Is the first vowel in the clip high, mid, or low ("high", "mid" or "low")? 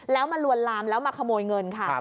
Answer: mid